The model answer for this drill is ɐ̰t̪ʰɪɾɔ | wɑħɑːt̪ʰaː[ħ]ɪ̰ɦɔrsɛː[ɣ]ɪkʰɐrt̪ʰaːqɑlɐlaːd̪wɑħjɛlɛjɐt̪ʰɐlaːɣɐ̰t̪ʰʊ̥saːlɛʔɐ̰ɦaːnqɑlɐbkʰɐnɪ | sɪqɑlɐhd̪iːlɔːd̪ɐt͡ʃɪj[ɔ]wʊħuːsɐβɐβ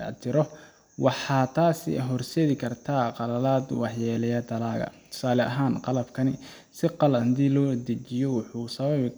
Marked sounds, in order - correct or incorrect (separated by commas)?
incorrect, incorrect, correct